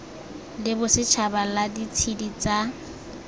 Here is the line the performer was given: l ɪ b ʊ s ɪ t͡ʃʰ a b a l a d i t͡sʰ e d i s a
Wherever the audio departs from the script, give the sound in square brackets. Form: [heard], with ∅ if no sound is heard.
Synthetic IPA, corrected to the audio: l ɪ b ʊ s ɪ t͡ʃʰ a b a l a d i t͡sʰ [i] d i [t͡s] a